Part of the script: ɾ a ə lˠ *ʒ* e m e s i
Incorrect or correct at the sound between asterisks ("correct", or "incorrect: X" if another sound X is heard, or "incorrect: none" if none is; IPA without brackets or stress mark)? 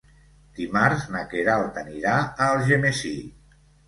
correct